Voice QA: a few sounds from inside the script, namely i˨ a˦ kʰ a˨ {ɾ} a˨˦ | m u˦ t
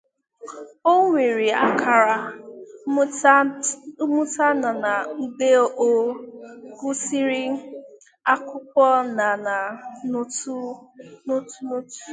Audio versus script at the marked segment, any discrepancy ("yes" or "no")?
no